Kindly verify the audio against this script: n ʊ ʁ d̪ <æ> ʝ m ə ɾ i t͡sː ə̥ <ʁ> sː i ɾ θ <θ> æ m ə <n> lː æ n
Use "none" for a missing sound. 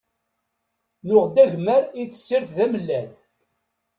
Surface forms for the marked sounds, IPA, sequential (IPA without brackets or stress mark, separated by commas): æ, none, ð, none